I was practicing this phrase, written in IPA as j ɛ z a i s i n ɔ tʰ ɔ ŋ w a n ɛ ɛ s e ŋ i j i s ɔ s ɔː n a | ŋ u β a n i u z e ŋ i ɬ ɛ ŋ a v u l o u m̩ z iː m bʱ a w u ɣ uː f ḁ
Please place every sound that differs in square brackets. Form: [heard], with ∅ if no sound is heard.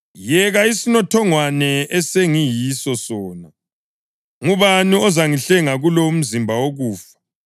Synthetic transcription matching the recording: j ɛ [ɣ] a i s i n ɔ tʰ ɔ ŋ w a n ɛ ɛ s e ŋ i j i s ɔ s ɔː n a | ŋ u β a n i [ɔ] z [a] ŋ i ɬ ɛ ŋ a [ɣ] u l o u m̩ z [i] m bʱ a w [o] ɣ uː f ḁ